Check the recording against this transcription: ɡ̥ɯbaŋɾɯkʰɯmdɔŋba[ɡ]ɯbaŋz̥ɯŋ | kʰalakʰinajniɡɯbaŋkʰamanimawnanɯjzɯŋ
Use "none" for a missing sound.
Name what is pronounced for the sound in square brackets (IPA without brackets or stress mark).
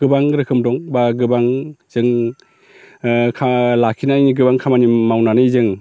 ɡ